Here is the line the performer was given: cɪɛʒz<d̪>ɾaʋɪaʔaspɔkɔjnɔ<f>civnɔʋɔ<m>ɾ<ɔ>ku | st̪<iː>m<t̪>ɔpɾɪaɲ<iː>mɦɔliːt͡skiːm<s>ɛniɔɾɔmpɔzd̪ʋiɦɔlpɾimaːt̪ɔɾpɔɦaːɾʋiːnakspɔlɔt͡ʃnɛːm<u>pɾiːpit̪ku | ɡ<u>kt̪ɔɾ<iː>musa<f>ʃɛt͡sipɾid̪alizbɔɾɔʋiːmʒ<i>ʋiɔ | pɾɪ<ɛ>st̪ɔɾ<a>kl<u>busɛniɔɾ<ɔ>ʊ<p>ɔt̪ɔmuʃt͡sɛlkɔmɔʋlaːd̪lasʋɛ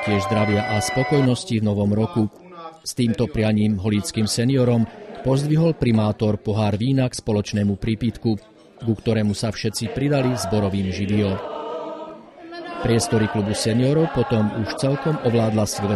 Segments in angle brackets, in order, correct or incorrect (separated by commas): correct, incorrect, correct, correct, correct, correct, correct, correct, correct, correct, incorrect, correct, correct, correct, incorrect, correct, correct, correct